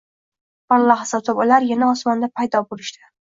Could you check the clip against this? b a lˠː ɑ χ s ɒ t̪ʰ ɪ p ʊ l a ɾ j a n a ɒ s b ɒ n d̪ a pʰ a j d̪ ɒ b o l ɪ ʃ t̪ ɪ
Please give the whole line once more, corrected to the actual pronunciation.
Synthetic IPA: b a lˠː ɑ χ s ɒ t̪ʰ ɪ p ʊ l a ɾ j a n a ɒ s m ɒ n d̪ a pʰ a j d̪ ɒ b o l ɪ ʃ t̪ ɪ